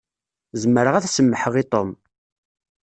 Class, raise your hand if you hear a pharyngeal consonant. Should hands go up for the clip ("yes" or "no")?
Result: yes